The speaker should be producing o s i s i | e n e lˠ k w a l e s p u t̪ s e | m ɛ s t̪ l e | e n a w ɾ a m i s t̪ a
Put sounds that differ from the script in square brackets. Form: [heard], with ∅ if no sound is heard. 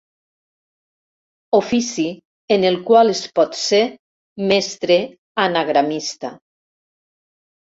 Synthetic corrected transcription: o [f] i s i | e n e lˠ k w a l e s p [ɔ] t̪ s e | m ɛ s t̪ [ɾ] e | [a] n a [ɣ] ɾ a m i s t̪ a